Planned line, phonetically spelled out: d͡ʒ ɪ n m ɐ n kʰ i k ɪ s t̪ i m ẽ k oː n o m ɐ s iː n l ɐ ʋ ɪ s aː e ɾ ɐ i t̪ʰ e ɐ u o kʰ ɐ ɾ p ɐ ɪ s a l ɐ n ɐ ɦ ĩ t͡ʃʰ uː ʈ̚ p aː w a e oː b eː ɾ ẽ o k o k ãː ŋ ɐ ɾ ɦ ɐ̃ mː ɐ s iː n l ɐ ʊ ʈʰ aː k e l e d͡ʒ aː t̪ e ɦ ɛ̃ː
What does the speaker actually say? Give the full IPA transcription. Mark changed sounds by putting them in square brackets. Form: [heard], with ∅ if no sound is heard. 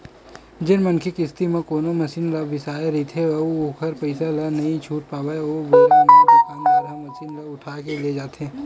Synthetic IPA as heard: d͡ʒ ɪ n m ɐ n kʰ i k ɪ s t̪ i m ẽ k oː n o m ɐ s iː n l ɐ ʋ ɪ s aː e ɾ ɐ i t̪ʰ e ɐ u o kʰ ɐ ɾ p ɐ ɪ s a l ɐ n ɐ ɦ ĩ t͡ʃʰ uː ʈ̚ p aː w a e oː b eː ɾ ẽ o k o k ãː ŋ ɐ ɾ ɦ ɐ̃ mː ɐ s iː n l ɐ ʊ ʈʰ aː k e l e d͡ʒ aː t̪ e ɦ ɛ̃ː